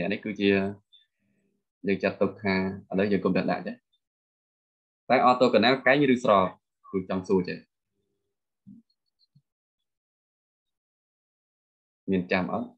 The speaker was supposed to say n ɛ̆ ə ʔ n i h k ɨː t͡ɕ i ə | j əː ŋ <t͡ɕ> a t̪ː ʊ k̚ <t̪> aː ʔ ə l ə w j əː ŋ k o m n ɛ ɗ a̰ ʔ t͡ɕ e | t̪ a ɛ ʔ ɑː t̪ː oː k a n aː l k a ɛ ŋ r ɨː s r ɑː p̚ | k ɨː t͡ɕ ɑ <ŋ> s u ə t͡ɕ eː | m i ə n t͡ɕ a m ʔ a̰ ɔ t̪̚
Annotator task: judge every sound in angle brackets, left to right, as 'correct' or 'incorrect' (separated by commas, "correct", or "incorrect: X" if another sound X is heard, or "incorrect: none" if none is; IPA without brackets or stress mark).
correct, incorrect: t̪ʰ, correct